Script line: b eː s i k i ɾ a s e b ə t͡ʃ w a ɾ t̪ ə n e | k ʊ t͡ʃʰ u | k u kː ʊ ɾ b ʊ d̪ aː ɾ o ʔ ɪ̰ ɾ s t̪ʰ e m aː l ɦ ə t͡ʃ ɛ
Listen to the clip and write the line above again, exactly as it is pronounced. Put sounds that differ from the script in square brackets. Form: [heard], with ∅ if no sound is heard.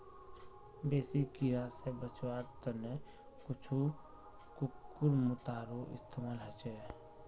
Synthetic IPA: b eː s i k i ɾ a s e b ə t͡ʃ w a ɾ t̪ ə n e | k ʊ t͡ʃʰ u | k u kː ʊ ɾ [m] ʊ [t̪] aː ɾ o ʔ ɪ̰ [∅] s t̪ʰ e m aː l ɦ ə t͡ʃ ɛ